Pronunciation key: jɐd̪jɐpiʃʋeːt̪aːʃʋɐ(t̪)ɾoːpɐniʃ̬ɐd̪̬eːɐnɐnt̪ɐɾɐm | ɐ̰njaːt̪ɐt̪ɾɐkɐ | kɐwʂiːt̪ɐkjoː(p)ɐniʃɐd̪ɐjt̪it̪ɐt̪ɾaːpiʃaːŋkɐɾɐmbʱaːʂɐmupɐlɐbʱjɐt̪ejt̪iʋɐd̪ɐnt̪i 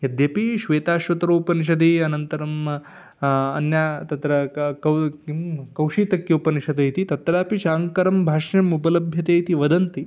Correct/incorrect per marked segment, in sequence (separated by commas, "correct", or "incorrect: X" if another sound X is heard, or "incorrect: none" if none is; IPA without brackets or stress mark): correct, correct